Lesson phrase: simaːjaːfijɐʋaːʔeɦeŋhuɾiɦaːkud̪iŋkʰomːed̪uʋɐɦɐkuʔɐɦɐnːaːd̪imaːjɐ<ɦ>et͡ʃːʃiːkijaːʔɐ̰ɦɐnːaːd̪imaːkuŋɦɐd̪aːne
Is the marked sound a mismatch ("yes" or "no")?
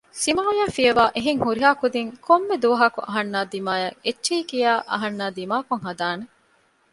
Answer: yes